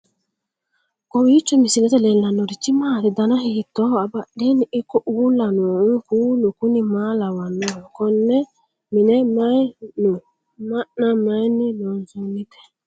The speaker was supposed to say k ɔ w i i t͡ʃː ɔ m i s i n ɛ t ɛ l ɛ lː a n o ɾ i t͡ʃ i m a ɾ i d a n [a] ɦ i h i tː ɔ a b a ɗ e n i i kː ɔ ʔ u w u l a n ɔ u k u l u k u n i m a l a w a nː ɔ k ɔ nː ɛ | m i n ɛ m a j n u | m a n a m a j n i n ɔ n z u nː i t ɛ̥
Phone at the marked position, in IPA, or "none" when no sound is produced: a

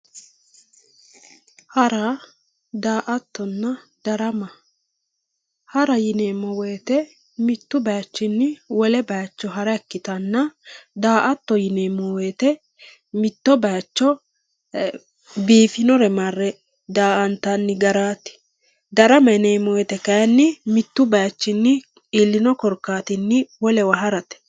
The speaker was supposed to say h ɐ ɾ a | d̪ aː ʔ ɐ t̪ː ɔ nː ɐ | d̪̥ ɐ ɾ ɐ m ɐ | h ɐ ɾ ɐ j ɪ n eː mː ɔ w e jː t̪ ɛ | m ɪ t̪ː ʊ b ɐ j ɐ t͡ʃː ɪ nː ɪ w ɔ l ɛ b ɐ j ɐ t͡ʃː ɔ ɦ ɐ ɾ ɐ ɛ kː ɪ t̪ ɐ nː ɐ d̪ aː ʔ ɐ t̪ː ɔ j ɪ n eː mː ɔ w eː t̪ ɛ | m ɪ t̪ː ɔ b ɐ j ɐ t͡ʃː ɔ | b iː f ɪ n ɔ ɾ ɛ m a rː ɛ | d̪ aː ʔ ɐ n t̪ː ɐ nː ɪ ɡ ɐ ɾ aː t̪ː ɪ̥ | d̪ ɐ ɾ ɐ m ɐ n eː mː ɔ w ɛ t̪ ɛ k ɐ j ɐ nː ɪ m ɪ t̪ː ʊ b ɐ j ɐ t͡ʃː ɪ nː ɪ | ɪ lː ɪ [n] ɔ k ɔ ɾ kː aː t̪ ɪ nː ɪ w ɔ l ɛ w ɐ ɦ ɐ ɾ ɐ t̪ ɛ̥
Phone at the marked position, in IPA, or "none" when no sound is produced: n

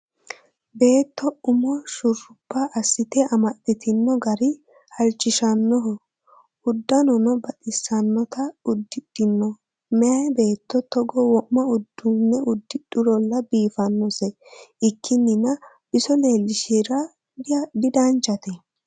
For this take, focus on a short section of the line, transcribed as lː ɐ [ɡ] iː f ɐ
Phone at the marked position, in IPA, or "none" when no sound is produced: b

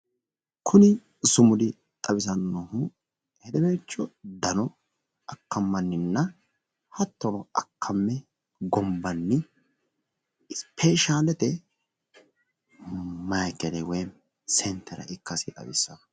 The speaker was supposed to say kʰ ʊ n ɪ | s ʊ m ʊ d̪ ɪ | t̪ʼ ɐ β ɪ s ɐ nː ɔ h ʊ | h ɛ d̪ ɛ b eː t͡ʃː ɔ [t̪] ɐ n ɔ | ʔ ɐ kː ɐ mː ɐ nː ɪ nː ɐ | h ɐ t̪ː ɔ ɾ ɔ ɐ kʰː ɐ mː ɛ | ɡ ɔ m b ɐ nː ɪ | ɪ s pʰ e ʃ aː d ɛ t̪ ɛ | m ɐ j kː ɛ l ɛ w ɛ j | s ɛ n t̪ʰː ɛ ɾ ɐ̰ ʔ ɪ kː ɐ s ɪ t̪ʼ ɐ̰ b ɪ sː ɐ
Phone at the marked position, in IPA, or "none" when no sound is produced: d̪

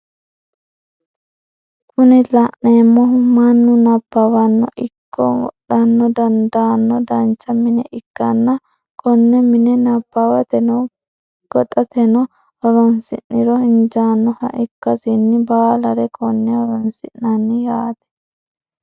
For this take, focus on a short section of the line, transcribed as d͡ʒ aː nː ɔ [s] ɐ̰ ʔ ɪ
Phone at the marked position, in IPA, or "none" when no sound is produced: h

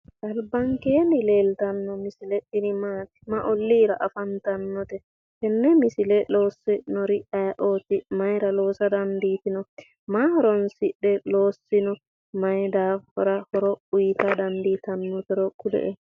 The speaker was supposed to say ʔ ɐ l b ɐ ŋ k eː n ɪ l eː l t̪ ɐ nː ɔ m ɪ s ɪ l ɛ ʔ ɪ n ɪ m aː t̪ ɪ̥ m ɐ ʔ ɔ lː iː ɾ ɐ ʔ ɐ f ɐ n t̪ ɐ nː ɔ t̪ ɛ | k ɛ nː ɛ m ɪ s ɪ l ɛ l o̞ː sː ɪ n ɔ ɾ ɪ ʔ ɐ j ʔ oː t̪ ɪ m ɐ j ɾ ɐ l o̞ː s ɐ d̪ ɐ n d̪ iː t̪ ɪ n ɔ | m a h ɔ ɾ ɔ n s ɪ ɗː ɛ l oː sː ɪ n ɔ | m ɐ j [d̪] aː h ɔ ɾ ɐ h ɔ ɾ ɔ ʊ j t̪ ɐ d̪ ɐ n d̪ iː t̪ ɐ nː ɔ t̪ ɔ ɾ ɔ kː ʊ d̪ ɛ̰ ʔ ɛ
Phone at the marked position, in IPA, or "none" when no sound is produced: d̪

